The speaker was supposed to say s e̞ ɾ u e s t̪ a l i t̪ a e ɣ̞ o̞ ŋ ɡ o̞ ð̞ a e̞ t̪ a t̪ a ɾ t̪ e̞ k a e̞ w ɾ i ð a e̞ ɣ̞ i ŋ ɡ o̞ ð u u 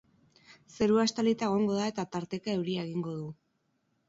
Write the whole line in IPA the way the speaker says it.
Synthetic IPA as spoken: s e̞ ɾ u a s t̪ a l i t̪ a e ɣ̞ o̞ ŋ ɡ o̞ ð̞ a e̞ t̪ a t̪ a ɾ t̪ e̞ k a e̞ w ɾ i a e̞ ɣ̞ i ŋ ɡ o̞ ð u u